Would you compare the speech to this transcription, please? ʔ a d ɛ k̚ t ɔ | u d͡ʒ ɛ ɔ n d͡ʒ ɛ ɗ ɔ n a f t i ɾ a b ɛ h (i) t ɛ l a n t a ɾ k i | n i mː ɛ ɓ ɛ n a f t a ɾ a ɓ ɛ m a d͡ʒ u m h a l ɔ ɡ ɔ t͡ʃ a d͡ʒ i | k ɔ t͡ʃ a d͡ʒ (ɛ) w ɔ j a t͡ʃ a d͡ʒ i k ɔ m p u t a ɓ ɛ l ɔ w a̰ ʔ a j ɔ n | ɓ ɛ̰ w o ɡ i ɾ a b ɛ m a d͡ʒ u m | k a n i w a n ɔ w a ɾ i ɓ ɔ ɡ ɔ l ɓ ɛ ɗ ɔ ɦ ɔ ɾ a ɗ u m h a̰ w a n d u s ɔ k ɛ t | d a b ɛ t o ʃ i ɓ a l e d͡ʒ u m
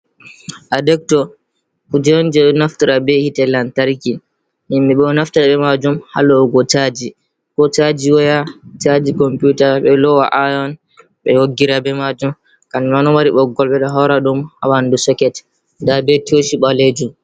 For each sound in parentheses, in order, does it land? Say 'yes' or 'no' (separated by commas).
yes, no